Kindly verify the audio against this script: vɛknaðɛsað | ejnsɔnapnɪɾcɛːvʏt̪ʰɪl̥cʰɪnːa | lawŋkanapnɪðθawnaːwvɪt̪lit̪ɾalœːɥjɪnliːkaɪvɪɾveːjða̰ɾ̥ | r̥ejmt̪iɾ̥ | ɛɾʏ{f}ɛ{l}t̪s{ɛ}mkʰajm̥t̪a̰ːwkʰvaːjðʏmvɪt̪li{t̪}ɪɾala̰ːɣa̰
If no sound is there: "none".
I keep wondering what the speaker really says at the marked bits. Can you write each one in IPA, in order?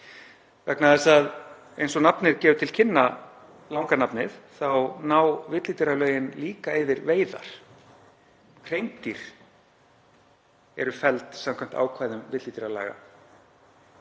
f, l, a, t̪

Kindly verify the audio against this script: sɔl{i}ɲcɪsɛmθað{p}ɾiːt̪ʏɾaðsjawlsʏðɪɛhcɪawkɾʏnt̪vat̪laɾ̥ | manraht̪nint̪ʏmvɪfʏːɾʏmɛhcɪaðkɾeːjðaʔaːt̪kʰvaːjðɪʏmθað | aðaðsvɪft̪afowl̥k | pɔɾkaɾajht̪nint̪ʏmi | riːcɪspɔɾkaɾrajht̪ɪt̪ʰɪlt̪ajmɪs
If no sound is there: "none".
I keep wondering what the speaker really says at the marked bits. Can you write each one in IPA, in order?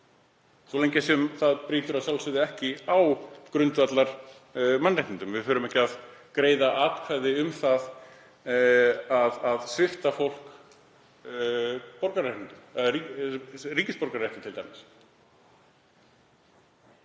e, p

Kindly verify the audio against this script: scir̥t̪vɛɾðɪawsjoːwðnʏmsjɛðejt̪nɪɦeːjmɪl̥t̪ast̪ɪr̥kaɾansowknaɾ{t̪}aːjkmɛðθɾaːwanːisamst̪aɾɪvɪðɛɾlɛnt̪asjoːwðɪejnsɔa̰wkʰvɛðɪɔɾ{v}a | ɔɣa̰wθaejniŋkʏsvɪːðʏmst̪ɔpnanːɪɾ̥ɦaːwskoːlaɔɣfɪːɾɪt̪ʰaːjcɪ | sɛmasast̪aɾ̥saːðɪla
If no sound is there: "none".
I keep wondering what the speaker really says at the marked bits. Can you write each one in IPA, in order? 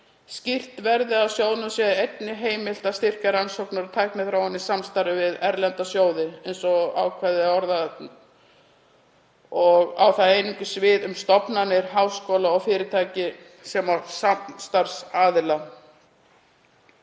t̪ʰ, ð

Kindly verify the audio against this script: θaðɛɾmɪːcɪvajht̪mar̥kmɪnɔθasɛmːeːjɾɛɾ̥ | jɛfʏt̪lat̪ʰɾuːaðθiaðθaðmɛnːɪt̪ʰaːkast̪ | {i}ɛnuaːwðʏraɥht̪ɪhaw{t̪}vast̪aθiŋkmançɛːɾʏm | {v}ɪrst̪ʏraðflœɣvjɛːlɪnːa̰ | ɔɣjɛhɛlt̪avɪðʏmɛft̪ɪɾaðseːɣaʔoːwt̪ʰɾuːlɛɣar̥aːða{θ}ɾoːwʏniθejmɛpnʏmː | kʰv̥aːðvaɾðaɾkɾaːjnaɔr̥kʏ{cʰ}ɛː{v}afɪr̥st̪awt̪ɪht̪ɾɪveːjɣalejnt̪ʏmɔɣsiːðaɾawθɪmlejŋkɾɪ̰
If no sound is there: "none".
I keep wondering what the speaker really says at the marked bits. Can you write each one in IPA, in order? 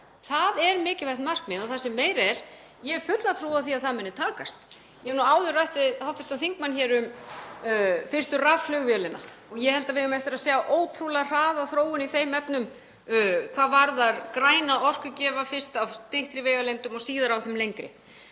j, t̪, f, θ, c, v

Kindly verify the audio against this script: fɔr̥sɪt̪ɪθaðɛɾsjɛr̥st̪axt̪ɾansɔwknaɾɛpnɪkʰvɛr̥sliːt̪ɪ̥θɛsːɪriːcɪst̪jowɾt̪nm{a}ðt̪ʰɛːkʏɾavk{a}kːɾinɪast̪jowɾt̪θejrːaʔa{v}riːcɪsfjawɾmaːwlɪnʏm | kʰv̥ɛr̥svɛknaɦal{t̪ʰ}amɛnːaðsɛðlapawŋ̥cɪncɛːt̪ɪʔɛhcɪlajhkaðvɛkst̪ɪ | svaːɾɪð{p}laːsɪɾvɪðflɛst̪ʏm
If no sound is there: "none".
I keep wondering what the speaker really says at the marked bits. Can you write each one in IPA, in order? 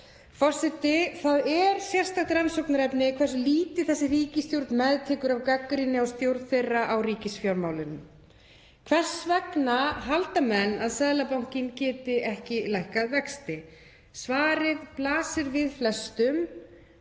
ɛ, a, w, t̪, p

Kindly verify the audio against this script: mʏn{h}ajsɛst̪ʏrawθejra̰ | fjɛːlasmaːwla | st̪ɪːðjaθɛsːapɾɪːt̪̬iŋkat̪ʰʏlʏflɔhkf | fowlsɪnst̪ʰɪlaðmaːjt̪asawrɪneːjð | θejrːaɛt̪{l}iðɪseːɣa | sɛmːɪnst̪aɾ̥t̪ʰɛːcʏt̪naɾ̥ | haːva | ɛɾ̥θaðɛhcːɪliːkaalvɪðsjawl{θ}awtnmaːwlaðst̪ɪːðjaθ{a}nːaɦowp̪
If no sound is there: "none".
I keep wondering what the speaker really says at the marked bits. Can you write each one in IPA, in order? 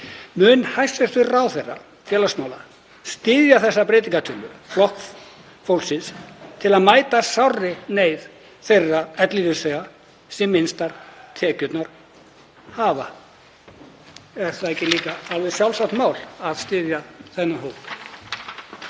h, l, s, ɛ

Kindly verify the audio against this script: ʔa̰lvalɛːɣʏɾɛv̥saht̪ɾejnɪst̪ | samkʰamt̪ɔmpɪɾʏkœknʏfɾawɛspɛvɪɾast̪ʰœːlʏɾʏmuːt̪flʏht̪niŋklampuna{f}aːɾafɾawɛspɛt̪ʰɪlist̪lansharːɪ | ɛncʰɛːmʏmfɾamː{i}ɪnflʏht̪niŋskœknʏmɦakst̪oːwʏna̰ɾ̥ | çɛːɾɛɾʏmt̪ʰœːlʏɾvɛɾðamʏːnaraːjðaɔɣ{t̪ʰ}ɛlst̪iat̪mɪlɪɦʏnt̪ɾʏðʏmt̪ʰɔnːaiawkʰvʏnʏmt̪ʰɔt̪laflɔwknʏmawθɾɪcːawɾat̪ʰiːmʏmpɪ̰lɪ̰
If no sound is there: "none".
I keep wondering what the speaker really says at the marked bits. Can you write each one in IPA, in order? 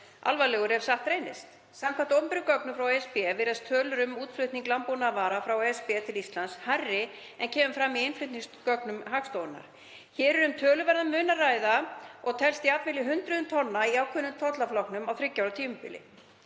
v, i, t̪ʰ

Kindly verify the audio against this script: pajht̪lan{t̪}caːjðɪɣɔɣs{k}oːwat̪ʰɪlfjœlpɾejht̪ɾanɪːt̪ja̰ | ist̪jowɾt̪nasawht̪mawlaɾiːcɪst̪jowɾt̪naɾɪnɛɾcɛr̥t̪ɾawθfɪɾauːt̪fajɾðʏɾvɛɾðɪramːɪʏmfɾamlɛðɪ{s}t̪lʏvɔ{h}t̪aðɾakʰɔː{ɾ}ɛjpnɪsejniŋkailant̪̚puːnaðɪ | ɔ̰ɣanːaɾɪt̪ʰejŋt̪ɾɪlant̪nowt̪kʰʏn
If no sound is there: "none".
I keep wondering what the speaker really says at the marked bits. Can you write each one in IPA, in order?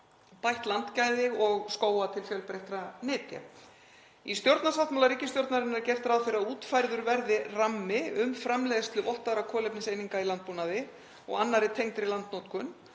t̪, k, s, h, l

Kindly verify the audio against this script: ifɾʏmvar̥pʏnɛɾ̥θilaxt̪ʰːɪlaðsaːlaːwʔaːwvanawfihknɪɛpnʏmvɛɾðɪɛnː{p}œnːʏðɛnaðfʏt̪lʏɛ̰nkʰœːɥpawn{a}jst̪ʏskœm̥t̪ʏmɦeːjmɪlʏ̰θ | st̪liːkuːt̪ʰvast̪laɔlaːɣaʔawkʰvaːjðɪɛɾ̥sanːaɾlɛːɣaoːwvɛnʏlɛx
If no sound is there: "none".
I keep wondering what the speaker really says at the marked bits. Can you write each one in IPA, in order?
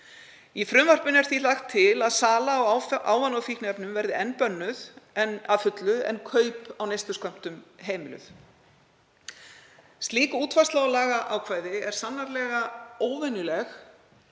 p, e

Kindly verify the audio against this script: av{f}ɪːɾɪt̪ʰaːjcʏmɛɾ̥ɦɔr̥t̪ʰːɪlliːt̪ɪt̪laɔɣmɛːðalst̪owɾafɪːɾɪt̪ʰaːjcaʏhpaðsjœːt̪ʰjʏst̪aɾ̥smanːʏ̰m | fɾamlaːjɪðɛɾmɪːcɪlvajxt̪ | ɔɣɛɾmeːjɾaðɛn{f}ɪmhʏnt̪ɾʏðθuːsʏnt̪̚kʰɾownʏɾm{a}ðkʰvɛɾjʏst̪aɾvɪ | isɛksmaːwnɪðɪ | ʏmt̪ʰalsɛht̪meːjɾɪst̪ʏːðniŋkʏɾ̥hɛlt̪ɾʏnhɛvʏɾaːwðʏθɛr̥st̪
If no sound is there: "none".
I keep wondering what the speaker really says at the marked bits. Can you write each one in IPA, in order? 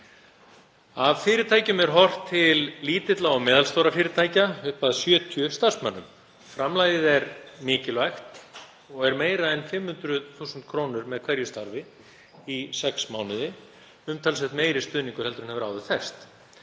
f, f, ɛ

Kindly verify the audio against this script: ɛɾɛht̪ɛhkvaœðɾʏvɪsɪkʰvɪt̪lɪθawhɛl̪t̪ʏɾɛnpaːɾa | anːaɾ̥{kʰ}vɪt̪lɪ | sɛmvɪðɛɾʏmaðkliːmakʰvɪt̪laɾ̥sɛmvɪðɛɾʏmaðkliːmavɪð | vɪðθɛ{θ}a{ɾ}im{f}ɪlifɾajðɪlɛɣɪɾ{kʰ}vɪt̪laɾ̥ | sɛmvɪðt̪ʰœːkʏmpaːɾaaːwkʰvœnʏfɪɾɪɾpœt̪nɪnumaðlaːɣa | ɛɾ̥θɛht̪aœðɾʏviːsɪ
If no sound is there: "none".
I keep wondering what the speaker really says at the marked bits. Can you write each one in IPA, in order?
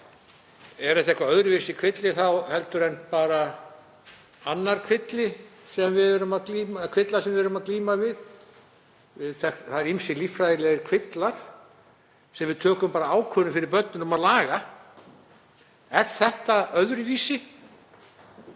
kʰ, θ, ɾ, s, kʰ

